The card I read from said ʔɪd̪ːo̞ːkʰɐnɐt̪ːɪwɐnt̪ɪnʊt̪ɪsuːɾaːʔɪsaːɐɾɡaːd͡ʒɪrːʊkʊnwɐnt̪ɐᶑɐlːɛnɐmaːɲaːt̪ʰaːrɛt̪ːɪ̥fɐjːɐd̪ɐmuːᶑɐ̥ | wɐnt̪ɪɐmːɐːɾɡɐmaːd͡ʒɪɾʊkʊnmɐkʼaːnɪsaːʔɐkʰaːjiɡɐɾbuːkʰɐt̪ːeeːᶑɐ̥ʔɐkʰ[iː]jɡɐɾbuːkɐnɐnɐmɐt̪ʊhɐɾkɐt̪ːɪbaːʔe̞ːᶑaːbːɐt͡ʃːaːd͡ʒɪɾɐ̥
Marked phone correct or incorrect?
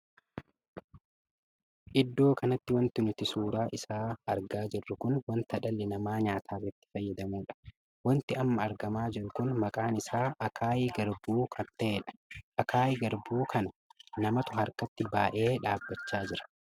incorrect